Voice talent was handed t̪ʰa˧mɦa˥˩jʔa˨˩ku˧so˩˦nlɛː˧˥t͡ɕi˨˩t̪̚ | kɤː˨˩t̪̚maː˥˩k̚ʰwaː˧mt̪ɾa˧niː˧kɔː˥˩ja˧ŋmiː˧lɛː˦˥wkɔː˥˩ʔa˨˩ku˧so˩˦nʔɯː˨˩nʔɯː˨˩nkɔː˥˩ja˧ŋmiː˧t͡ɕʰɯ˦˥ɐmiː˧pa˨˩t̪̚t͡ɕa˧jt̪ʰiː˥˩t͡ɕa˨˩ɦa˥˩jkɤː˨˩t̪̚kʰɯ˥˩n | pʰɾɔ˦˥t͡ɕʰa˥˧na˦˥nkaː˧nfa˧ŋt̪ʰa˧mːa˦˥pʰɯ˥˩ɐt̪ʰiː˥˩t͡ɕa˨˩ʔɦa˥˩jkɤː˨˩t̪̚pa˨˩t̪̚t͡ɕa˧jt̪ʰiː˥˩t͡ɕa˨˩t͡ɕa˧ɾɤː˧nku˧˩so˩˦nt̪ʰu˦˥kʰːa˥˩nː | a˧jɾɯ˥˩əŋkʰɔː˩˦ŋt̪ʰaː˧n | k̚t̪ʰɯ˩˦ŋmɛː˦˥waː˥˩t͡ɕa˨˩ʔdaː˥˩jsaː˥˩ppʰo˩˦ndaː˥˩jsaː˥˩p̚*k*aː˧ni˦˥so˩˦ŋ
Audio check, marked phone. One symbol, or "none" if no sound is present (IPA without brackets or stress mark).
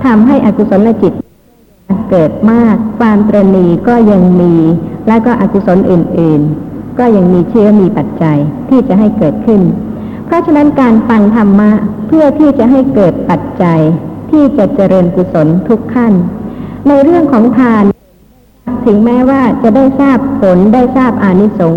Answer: ʔ